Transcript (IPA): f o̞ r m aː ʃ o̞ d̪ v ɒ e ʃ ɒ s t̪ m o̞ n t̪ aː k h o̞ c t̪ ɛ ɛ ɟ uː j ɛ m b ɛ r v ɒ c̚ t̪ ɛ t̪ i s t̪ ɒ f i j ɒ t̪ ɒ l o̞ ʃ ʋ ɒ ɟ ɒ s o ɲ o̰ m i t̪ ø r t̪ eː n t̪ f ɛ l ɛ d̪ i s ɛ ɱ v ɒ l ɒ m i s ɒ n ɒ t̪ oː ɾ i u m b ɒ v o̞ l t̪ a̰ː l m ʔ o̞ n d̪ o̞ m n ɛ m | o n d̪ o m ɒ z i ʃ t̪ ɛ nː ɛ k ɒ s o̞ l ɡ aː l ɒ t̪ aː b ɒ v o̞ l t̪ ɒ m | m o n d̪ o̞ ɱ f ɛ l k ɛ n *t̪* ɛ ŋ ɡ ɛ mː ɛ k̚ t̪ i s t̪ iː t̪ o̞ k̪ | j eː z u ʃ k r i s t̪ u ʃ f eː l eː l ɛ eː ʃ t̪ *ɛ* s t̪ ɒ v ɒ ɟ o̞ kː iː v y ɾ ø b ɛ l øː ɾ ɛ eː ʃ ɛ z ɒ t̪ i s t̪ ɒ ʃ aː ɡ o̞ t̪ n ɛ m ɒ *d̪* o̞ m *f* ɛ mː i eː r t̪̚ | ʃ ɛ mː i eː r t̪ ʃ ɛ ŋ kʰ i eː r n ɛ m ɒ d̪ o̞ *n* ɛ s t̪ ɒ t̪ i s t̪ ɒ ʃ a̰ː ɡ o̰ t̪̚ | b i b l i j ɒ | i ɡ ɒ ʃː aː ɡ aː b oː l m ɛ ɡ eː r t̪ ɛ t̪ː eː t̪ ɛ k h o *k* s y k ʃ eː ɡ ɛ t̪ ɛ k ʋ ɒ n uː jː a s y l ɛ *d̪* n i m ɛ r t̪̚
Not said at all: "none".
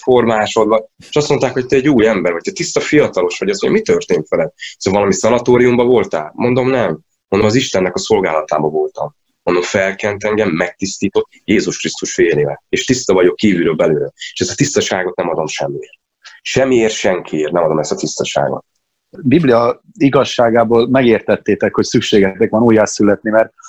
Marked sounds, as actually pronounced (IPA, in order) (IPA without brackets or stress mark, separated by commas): t̪, i, d̪, ʃ, m, c, t̪